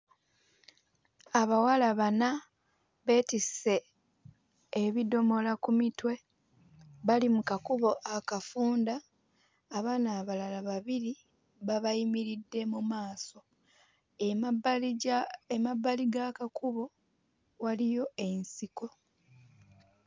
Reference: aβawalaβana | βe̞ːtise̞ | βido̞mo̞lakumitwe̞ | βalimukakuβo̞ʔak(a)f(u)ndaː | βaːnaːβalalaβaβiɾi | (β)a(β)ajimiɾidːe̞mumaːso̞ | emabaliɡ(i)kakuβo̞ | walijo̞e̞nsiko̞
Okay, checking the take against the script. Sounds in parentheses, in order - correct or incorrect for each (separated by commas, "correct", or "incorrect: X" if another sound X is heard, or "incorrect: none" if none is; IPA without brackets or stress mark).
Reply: correct, incorrect: uː, correct, correct, incorrect: a